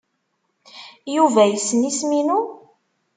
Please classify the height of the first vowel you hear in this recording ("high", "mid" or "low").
high